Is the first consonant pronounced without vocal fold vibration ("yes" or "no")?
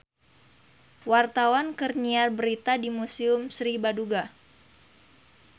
no